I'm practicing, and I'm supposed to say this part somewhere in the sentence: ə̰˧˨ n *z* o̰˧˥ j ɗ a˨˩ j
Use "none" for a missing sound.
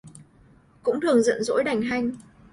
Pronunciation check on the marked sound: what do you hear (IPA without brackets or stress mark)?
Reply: z